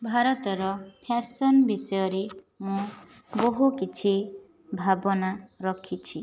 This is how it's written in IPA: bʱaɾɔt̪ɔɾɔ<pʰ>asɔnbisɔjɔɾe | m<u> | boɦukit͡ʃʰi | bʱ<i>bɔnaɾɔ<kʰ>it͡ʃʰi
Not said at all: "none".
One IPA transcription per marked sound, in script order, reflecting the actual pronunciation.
pʰ, ũ, a, kʰ

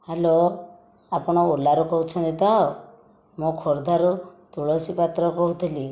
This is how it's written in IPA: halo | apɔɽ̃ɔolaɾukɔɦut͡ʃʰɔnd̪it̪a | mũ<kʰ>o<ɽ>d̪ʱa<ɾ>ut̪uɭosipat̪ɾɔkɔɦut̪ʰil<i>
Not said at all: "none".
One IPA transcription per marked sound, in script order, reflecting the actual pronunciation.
kʰ, ɾ, ɾ, i

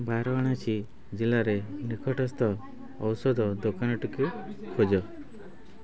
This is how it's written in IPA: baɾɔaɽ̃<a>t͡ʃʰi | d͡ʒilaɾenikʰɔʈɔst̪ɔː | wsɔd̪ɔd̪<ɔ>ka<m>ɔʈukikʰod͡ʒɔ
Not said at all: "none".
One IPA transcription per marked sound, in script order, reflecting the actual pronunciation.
a, o, n

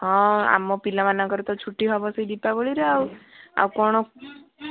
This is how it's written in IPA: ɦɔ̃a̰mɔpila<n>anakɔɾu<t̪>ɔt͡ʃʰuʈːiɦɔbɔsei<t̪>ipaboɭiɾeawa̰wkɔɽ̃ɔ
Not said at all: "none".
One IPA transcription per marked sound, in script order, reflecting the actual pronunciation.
m, t̪, d̪

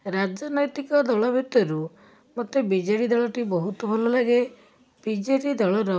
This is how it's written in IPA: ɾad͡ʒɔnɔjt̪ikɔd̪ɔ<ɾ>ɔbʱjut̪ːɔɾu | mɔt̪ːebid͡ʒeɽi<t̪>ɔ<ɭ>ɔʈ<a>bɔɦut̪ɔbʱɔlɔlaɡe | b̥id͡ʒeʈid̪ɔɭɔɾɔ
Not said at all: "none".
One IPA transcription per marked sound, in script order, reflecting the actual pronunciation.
ɭ, d̪, ɭ, i

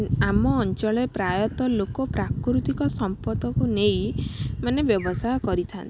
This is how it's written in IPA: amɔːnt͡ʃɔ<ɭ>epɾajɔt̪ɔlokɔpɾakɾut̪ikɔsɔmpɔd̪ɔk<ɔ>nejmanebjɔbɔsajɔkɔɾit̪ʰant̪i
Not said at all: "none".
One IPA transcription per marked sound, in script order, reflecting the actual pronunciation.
ɭ, u

